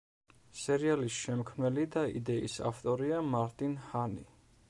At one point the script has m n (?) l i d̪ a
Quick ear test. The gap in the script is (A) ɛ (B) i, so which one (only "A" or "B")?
A